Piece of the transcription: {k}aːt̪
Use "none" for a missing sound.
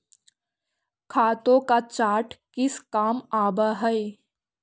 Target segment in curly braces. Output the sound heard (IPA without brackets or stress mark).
kʰ